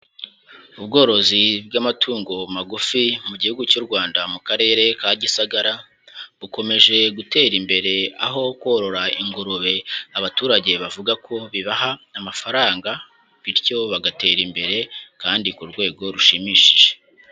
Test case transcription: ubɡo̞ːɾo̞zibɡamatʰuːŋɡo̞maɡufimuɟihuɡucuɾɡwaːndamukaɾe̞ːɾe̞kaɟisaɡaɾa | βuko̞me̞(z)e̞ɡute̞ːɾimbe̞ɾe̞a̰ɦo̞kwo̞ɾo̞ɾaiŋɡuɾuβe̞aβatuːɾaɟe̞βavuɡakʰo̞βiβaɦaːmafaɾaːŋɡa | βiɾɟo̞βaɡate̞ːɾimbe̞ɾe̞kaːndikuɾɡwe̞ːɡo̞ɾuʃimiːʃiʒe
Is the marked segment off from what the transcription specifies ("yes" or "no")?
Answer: yes